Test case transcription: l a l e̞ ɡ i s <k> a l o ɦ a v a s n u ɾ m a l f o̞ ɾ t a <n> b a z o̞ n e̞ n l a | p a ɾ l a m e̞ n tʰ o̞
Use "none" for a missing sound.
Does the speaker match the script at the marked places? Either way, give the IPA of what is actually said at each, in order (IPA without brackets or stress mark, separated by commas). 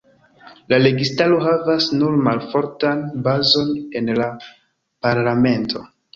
t, n